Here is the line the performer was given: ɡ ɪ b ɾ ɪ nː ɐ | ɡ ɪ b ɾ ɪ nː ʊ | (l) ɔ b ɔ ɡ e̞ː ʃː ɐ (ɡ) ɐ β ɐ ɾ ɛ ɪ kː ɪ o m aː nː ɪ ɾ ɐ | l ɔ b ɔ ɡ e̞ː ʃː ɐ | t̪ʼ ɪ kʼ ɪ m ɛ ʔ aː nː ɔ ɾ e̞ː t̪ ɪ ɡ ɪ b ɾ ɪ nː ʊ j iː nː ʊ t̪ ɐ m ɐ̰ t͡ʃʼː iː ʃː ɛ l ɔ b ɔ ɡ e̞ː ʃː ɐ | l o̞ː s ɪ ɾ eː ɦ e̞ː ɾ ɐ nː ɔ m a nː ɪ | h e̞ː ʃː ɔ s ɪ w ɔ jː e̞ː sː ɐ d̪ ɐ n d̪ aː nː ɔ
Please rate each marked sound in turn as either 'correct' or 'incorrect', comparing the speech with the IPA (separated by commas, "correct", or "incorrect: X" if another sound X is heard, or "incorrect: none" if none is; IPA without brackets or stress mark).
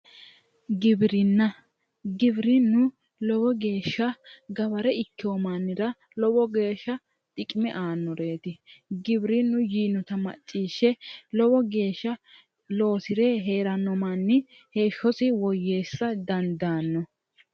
correct, correct